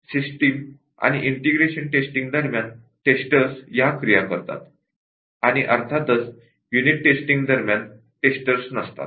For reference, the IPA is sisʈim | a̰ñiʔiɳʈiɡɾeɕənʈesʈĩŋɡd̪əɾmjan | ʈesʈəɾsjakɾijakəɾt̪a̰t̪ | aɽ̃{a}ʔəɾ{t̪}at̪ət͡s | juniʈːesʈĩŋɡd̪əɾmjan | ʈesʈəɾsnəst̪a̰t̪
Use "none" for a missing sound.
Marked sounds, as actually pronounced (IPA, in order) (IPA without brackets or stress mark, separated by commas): i, t̪ʰ